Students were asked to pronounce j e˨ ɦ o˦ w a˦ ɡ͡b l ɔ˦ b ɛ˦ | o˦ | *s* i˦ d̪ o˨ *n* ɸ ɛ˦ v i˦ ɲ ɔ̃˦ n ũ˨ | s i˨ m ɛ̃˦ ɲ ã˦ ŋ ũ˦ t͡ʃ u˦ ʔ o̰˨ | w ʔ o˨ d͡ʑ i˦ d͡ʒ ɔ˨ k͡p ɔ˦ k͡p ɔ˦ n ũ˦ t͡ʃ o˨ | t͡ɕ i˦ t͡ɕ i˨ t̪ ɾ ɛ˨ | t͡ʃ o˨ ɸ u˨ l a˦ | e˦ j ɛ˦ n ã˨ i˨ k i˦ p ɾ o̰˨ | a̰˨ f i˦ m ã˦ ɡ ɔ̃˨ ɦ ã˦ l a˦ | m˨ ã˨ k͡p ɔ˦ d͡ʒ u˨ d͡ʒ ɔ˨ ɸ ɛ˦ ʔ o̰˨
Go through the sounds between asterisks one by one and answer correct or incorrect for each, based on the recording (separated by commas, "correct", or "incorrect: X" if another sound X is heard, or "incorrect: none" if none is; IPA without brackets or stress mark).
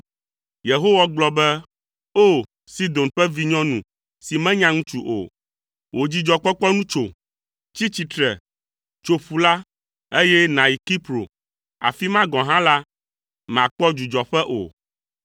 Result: correct, correct